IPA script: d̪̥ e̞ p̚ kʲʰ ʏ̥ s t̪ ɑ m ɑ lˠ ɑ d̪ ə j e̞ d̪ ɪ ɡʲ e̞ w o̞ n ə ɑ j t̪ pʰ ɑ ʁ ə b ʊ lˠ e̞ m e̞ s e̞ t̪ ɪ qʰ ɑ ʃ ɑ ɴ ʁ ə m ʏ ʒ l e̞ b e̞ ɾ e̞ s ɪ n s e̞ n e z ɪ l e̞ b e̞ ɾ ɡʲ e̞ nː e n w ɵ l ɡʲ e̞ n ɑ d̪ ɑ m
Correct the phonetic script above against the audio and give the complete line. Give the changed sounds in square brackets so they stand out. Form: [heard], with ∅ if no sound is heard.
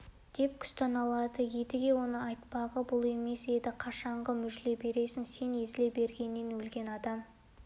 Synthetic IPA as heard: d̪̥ e̞ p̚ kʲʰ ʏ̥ s t̪ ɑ [n] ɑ lˠ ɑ d̪ ə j e̞ d̪ ɪ ɡʲ e̞ w o̞ n ə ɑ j t̪ [p] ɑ ʁ ə b ʊ lˠ e̞ m e̞ s e̞ [d̪] ɪ qʰ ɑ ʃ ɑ ɴ ʁ ə m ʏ ʒ l e̞ b e̞ ɾ e̞ s ɪ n s e̞ n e z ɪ l e̞ b e̞ ɾ ɡʲ e̞ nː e n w ɵ l ɡʲ e̞ n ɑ d̪ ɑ m